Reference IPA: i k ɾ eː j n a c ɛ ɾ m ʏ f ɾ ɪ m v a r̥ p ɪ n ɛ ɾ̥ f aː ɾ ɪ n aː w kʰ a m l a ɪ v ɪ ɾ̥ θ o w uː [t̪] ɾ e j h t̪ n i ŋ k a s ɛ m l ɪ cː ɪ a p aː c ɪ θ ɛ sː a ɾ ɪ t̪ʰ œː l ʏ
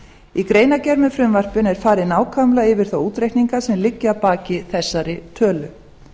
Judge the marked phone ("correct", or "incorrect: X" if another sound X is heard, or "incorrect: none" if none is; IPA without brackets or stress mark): correct